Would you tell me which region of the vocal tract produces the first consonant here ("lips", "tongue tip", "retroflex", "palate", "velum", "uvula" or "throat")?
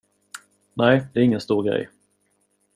tongue tip